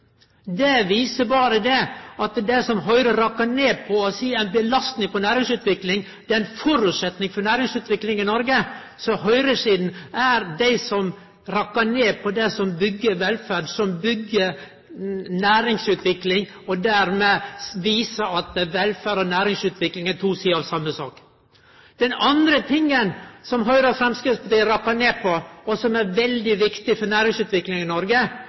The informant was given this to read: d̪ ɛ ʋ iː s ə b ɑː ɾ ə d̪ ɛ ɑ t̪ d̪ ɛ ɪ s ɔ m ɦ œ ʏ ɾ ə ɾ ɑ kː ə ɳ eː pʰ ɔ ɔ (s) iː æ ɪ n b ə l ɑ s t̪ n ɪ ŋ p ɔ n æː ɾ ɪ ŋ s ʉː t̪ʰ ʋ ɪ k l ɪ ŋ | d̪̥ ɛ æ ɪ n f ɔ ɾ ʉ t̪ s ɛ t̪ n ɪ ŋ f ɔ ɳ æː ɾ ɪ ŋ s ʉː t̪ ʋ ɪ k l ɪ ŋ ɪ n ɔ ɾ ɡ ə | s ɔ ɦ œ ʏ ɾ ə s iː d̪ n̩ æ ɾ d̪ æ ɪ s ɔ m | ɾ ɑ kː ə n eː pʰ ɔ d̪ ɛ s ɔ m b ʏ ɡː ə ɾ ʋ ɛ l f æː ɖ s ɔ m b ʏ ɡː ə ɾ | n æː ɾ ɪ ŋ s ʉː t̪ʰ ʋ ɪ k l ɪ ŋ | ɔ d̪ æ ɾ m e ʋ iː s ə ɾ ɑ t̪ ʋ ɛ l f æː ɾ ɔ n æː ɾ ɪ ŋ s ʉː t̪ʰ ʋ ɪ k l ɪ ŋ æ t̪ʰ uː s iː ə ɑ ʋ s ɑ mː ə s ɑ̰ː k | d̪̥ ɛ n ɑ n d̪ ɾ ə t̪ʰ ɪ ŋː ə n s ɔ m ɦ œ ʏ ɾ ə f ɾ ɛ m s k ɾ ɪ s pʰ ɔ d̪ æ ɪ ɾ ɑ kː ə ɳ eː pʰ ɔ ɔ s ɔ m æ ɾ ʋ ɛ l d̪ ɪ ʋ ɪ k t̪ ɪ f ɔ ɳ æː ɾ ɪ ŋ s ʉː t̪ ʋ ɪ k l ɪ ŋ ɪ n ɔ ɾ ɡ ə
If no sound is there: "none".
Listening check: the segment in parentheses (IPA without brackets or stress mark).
s